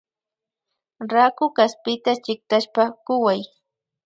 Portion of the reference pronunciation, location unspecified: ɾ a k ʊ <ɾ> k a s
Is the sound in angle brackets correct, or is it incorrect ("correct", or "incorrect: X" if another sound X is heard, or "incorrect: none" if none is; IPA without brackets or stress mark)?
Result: incorrect: none